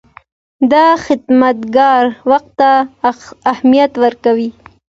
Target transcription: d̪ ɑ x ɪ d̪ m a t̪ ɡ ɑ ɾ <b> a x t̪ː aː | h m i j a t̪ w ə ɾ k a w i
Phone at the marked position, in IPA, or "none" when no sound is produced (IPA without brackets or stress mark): w